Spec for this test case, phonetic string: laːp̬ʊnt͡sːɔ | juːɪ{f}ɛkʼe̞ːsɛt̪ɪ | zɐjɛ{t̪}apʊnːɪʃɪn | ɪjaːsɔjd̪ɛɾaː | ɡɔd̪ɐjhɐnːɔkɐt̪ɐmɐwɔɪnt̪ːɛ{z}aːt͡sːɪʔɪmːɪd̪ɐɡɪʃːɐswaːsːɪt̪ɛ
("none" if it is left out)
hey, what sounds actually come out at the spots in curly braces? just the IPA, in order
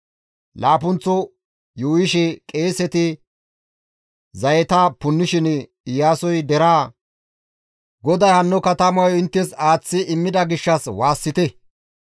ʃ, t̪, s

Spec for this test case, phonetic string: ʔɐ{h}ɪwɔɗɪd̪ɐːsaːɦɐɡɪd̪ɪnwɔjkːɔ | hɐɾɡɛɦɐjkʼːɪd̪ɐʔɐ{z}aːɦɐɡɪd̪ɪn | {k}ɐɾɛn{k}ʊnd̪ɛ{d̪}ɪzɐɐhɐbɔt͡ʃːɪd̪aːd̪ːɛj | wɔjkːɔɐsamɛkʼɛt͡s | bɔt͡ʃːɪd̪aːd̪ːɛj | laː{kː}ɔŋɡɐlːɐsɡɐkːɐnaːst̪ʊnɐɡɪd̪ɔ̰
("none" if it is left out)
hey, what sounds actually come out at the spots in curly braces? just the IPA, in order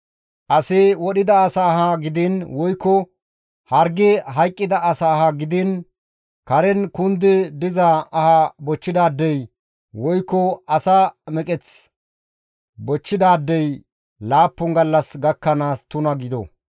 s, s, k, k, d̪, pː

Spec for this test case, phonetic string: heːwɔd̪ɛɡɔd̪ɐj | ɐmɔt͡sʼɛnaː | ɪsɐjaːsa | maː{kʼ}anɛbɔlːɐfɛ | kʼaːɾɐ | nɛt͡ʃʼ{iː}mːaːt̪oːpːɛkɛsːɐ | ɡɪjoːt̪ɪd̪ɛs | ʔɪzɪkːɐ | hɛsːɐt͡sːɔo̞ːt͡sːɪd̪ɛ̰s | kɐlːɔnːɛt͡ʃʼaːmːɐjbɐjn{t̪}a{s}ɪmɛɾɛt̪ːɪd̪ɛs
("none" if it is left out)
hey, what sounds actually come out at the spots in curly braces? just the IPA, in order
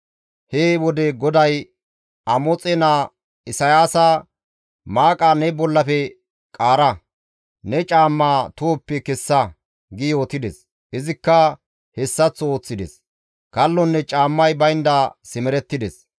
kʼ, aː, d̪, s

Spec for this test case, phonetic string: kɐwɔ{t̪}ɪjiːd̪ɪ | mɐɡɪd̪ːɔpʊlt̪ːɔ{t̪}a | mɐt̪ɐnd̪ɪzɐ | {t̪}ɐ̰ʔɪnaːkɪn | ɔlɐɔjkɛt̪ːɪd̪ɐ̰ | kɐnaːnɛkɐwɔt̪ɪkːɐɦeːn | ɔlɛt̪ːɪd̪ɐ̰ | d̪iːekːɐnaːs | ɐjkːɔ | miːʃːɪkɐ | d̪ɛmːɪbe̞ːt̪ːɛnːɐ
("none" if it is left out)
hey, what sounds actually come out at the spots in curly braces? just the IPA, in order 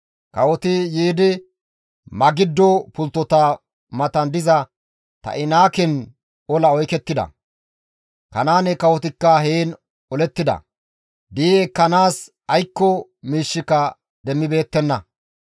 t̪, t̪, t̪

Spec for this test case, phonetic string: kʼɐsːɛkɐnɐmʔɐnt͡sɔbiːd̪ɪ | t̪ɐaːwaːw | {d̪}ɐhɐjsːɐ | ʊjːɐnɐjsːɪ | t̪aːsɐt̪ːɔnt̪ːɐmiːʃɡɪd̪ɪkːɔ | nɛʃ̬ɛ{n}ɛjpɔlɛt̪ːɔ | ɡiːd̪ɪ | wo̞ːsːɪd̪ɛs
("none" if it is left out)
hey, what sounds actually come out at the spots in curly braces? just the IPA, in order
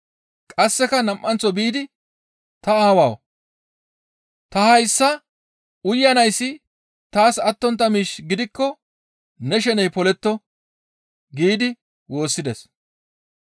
t̪, n

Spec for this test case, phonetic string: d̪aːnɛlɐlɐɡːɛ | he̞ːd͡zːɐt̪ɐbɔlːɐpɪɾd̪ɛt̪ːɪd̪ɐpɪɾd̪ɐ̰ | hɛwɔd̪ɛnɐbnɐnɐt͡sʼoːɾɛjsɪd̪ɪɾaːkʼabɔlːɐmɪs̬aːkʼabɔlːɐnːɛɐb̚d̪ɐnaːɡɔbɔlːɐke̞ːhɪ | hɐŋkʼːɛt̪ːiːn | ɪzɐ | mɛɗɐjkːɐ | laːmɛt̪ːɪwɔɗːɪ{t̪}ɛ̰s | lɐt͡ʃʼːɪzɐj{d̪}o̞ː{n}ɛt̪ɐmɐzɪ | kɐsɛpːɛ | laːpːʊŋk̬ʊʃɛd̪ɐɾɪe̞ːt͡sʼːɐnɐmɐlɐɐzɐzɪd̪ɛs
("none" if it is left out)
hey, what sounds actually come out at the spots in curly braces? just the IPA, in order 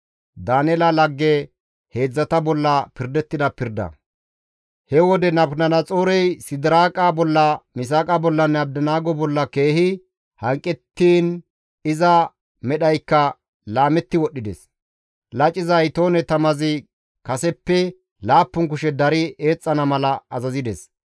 d̪, t̪, n

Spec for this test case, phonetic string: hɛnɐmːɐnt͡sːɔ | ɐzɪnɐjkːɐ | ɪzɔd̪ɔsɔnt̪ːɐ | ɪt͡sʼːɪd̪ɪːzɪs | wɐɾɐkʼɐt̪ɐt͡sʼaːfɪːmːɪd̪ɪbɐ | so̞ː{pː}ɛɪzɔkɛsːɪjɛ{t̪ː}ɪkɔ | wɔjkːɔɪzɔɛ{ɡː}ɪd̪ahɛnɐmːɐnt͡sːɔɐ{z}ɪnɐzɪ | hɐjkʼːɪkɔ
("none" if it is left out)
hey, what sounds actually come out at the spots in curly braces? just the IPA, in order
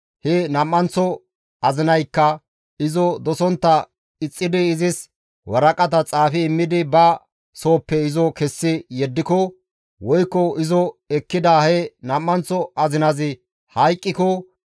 pː, d̪ː, kː, z

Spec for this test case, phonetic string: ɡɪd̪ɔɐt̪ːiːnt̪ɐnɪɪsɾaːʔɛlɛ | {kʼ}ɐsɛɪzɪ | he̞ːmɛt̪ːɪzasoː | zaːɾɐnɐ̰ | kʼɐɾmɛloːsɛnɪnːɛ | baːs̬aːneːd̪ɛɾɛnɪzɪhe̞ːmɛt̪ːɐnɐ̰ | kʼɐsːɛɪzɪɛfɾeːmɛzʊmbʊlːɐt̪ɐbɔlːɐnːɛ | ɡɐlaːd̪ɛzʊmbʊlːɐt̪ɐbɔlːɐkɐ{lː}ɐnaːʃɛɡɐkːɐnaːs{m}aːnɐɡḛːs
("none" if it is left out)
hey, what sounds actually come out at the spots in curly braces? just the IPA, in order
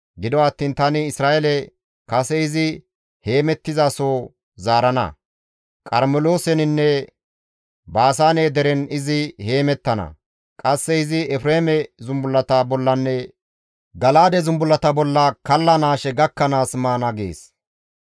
k, lː, m

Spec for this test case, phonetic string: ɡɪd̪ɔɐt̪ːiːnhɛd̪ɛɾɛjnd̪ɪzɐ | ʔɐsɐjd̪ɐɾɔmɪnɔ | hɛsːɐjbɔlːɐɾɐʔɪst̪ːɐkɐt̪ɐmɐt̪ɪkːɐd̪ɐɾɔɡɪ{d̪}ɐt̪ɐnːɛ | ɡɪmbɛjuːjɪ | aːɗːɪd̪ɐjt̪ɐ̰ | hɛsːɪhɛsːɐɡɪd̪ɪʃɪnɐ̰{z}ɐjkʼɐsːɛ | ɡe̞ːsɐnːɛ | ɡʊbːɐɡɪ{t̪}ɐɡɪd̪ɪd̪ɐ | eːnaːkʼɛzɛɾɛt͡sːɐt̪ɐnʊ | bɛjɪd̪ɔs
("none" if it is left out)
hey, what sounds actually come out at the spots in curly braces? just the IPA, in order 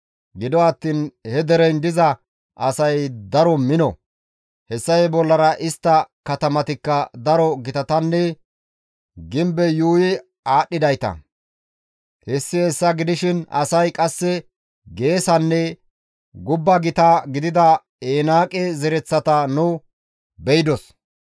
t̪, s, t̪

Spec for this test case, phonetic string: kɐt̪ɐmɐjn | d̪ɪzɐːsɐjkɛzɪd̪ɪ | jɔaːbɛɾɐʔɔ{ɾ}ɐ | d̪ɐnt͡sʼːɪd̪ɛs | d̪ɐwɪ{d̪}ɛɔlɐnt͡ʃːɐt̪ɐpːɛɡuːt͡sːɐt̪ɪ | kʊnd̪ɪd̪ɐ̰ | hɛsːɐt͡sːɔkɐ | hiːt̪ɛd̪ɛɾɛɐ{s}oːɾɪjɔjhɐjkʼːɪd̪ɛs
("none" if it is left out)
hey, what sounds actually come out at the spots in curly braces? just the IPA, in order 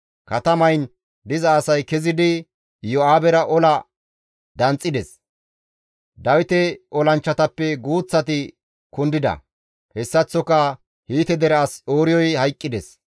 l, t̪, s

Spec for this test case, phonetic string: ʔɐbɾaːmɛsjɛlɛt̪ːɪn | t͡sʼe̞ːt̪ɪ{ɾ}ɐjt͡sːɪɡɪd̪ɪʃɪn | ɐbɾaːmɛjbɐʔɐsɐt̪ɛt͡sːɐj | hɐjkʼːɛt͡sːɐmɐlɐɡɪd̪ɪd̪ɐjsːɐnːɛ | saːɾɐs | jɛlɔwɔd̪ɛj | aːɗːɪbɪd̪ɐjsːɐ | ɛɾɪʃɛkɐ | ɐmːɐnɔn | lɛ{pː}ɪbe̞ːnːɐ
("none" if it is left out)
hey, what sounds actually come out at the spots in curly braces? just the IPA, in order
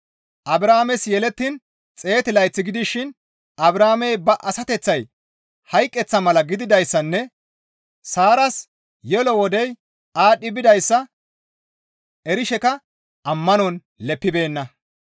l, pː

